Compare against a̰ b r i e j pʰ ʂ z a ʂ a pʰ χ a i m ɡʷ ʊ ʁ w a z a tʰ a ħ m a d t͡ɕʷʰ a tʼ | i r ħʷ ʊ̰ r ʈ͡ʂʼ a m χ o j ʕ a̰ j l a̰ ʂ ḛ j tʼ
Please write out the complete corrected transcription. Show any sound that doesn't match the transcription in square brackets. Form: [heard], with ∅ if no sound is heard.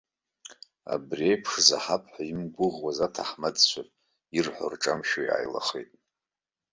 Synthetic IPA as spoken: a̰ b r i e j pʰ ʂ z a [ħ] a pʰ [ħ] a i m ɡʷ ʊ ʁ w a z a tʰ a ħ m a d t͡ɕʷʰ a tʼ | i r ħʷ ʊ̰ r ʈ͡ʂʼ a m [ʃ] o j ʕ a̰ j l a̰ [χ] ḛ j tʼ